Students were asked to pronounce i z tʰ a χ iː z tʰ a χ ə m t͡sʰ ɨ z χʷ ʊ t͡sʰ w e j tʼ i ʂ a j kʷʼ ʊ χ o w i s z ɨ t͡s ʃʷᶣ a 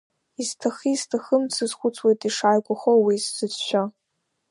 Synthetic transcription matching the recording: i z tʰ a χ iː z tʰ a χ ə m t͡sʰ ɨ z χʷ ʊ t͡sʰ w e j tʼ i ʂ a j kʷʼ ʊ χ o w i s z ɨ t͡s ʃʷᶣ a